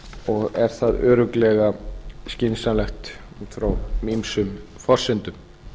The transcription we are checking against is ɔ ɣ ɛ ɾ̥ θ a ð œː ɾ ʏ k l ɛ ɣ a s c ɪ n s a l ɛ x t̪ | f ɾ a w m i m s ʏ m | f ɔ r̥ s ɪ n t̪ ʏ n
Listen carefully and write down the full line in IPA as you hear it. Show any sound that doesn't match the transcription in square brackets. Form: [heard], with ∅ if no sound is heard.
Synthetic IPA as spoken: ɔ ɣ ɛ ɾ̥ θ a ð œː ɾ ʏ k l ɛ ɣ a s c ɪ n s a l ɛ x t̪ | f ɾ a w m i m s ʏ m | f ɔ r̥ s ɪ n t̪ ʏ [m]